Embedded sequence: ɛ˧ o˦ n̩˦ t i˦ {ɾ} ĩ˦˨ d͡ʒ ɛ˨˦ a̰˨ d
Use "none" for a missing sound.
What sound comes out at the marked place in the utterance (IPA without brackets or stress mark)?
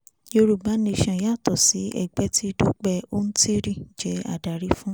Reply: ɾ